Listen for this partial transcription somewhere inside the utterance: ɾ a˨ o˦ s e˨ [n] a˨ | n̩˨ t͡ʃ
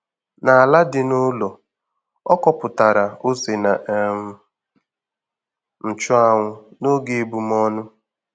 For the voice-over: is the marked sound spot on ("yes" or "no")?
yes